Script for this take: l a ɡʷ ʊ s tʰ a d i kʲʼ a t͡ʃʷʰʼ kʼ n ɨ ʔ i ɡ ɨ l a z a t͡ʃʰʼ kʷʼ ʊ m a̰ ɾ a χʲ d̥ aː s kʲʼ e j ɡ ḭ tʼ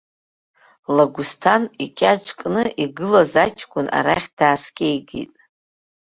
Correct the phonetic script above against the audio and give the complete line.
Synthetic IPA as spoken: l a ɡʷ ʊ s tʰ a n i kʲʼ a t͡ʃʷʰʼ kʼ n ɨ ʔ i ɡ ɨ l a z a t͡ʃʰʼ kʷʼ ʊ n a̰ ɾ a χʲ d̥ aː s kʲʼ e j ɡ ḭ tʼ